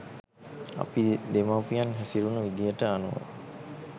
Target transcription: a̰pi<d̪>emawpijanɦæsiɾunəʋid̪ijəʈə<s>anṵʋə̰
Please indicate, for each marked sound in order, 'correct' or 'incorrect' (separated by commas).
correct, incorrect